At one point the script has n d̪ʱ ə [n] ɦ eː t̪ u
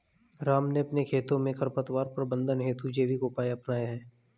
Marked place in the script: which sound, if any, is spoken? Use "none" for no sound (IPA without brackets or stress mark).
n